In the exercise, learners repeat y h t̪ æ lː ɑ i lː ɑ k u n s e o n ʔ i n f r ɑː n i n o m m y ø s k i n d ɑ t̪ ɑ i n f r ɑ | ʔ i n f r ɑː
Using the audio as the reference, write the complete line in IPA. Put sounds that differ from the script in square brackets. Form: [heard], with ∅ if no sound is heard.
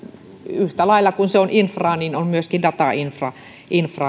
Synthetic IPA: y h t̪ æ [l] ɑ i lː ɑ k u n s e o n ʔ i n f r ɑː n i n o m m y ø s k i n d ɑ t̪ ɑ i n f r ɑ | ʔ i n f r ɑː

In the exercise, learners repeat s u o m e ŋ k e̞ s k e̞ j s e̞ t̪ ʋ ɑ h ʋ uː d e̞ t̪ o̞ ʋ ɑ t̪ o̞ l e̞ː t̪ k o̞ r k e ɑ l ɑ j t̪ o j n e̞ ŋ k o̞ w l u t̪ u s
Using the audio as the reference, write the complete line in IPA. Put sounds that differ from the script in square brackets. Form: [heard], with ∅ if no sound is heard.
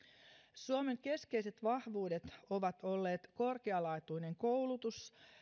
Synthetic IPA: s u o m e ŋ k e̞ s k e̞ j s e̞ t̪ ʋ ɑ h ʋ uː d e̞ t̪ o̞ ʋ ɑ t̪ o̞ [lː] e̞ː t̪ k o̞ r k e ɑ l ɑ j t̪ [u] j n e̞ ŋ k o̞ w l u t̪ u s

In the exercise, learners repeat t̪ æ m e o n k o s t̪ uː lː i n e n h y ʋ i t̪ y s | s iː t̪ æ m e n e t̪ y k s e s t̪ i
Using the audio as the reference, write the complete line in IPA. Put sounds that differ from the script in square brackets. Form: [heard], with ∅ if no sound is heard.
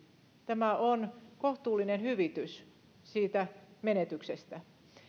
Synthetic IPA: t̪ æ m [æ] o n k o [h] t̪ uː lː i n e n h y ʋ i t̪ y s | s iː t̪ æ m e n e t̪ y k s e s t̪ [æ]

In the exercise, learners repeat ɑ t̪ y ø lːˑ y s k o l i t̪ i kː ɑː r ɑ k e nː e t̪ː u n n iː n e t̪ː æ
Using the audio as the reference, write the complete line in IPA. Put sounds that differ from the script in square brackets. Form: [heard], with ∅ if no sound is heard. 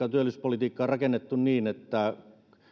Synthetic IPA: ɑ t̪ y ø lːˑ y s [p] o l i t̪ [iː] kː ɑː r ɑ k e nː e t̪ː u n n iː n e t̪ː æ

